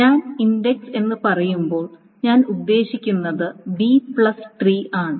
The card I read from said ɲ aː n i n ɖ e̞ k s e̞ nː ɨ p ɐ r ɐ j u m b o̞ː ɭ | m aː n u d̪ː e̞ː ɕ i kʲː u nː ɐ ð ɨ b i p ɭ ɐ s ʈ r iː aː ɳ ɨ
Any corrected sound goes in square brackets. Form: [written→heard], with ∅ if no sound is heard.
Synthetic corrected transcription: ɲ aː n i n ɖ e̞ k s e̞ nː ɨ p ɐ r ɐ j u m b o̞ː ɭ | [m→ɲ] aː n u d̪ː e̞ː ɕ i kʲː u nː ɐ ð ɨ b i p ɭ ɐ s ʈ r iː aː ɳ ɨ

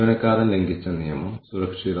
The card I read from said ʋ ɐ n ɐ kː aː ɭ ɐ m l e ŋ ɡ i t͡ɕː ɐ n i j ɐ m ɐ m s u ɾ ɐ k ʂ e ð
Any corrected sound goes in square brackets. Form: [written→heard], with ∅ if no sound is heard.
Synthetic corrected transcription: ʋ ɐ n ɐ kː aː [ɭ→ɾ] ɐ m l e ŋ ɡ i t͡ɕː ɐ n i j ɐ m ɐ m s u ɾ ɐ k ʂ [e→i] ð

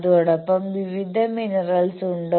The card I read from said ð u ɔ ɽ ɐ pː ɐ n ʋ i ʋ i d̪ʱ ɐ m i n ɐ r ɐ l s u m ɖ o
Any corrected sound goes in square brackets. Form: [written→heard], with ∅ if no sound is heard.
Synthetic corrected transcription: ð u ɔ ɽ ɐ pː ɐ [n→m] ʋ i ʋ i d̪ʱ ɐ m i n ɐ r ɐ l s u [m→ɳ] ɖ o

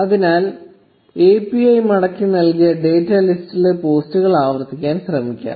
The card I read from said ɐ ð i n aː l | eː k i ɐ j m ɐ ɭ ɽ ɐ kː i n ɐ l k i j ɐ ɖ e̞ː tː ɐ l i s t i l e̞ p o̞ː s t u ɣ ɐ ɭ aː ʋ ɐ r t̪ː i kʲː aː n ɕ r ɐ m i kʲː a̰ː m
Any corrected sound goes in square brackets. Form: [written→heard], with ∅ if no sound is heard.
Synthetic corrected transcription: ɐ ð i n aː l | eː [k→p] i ɐ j m ɐ [ɭ→∅] ɽ ɐ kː i n ɐ l k i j ɐ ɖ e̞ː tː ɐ l i s t i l e̞ p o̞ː s t u ɣ ɐ ɭ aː ʋ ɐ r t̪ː i kʲː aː n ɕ r ɐ m i kʲː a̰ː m

